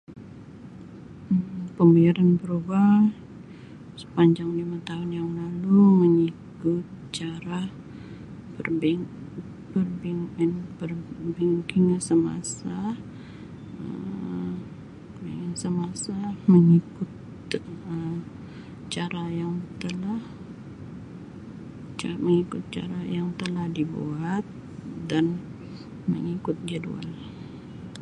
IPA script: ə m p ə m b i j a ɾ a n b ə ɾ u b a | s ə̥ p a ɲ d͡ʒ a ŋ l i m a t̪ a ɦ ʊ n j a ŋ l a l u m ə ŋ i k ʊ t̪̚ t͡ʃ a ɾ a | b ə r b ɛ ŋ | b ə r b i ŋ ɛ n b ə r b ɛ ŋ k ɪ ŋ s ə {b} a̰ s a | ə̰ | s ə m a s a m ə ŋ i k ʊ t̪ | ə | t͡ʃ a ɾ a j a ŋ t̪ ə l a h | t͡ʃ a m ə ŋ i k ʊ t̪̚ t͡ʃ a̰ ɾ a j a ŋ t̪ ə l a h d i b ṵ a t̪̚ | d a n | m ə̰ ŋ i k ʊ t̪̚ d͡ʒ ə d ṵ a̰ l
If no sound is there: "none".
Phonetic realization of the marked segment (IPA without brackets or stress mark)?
m